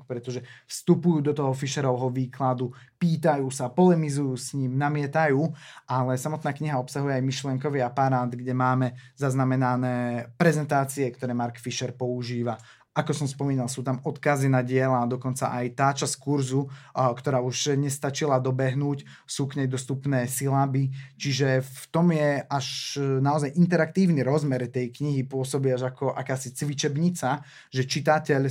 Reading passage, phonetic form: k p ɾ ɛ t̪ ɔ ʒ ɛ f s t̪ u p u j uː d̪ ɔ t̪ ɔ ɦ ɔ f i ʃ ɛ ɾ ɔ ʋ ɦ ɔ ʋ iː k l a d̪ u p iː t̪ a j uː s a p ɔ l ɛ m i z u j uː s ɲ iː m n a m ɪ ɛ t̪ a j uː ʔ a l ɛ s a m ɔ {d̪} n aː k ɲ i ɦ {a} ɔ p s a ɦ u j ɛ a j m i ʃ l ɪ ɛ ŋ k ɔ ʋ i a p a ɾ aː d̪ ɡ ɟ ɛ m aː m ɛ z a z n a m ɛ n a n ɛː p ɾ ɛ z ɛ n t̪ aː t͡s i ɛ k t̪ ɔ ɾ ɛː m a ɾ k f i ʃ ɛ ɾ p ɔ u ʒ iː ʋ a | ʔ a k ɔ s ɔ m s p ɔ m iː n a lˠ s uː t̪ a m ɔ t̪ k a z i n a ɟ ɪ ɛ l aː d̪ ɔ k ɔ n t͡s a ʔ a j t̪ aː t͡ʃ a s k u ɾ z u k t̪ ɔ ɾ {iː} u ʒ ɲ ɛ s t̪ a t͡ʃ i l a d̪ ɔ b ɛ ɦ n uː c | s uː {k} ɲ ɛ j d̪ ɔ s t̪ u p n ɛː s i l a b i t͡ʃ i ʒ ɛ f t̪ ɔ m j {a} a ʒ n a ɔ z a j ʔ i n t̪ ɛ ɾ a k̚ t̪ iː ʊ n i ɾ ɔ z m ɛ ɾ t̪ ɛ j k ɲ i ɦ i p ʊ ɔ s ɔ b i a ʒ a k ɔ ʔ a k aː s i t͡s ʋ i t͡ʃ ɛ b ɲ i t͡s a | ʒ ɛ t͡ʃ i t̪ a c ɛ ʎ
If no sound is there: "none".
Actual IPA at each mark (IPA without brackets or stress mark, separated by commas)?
t̪, a, aː, k, ɛ